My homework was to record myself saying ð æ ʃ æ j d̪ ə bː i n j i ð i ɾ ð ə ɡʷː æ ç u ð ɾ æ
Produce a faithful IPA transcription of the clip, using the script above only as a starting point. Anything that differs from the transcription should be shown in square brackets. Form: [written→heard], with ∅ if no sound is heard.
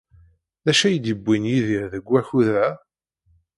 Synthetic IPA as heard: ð æ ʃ æ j d̪ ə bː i n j i ð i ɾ ð ə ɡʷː æ ç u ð ɾ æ